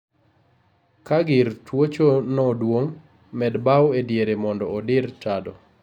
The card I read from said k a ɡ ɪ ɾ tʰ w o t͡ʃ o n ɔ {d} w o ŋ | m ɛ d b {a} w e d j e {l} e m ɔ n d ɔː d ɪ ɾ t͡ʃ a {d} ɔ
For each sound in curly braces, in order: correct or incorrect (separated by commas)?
correct, correct, incorrect, correct